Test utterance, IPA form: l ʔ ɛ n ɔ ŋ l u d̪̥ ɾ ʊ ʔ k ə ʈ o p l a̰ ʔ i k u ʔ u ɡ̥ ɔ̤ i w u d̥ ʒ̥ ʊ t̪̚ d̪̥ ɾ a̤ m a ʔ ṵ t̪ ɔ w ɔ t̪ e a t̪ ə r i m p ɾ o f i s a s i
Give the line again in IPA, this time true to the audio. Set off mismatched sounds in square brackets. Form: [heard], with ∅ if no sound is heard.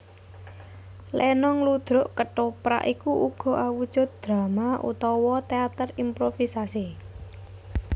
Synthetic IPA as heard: l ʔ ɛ n ɔ ŋ l u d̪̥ ɾ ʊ ʔ k ə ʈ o p [ɾ] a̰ ʔ i k u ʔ u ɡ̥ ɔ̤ [a] w u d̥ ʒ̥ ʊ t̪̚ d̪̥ ɾ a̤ m a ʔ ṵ t̪ ɔ w ɔ t̪ e a t̪ ə r i m p ɾ o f i s a s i